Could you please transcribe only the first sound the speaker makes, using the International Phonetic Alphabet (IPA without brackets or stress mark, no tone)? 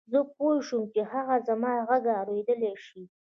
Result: z